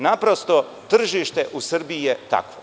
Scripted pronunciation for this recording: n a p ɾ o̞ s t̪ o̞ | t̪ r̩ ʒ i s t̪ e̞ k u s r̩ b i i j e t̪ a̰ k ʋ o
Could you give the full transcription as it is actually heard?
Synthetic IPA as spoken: n a p ɾ o̞ s t̪ o̞ | t̪ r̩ ʒ i ʃ t̪ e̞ ʔ u s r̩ b i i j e t̪ a̰ k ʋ o

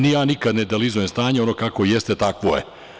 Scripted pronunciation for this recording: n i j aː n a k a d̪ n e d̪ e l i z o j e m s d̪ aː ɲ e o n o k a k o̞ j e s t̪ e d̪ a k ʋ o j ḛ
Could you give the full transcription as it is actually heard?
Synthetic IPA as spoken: n i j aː n i k a d̪ n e d̪ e l i z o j e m s t̪ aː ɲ e o n o k a k o̞ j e s t̪ e t̪ a k ʋ o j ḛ

